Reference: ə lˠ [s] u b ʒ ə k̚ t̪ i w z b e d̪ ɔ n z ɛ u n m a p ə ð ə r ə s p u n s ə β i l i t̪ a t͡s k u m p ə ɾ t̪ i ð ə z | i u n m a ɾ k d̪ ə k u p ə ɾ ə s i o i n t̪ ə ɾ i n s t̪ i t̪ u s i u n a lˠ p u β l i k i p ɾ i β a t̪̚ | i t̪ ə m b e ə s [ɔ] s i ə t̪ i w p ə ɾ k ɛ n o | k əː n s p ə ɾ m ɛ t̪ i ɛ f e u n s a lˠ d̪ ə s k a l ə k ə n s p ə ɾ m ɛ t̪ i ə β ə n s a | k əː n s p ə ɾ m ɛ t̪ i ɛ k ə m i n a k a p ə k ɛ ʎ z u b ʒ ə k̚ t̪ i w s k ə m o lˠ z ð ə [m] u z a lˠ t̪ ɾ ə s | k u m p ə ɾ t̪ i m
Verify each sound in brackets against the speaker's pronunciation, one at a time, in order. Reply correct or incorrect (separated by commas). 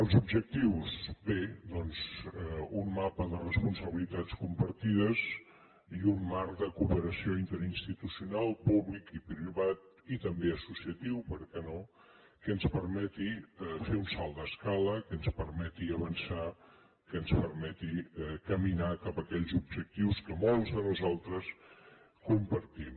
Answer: incorrect, incorrect, incorrect